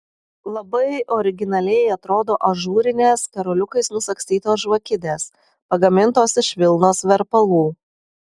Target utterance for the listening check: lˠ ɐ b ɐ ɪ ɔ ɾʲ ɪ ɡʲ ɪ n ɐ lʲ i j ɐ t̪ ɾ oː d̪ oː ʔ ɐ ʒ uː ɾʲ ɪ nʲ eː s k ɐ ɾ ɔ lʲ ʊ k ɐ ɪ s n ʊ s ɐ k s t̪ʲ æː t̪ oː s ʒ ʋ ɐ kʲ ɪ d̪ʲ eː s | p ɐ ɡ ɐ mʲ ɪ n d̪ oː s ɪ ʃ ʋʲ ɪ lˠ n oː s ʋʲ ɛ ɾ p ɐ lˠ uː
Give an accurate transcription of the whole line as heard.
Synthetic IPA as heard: lˠ ɐ b ɐ ɪ ɔ ɾʲ ɪ ɡʲ ɪ n ɐ lʲ ɛ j ɐ t̪ ɾ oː d̪ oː ʔ ɐ ʒ uː ɾʲ ɪ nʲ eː s k ɐ ɾ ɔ lʲ ʊ k ɐ ɪ s n ʊ s ɐ k s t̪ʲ iː t̪ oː s ʒ ʋ ɐ kʲ ɪ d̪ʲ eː s | p ɐ ɡ ɐ mʲ ɪ n t̪ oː s ɪ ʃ ʋʲ ɪ lˠ n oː s ʋʲ ɛ ɾ p ɐ lˠ uː